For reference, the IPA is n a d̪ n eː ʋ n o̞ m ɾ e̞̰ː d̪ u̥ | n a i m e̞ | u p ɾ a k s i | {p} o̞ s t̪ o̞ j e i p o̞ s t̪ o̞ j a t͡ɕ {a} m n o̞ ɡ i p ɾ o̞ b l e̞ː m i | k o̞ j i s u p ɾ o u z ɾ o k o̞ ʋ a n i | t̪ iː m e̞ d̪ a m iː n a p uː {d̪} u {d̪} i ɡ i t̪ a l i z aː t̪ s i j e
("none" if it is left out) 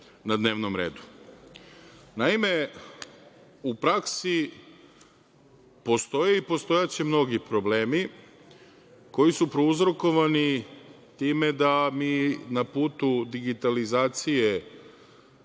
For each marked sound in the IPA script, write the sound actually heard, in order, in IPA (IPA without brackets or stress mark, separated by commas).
p, e, t̪, d̪